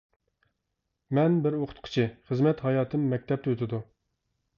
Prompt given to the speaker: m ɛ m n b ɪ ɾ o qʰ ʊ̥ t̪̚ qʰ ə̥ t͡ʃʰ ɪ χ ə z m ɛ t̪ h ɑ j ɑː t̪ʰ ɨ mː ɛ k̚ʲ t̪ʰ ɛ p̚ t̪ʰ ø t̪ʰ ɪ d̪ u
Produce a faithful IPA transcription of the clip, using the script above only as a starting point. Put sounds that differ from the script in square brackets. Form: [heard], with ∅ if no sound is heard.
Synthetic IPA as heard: m ɛ [∅] n b ɪ ɾ o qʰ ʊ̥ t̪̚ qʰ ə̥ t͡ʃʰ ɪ χ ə z m ɛ t̪ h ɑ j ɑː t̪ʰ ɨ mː ɛ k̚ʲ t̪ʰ ɛ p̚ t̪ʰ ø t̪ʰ ɪ d̪ u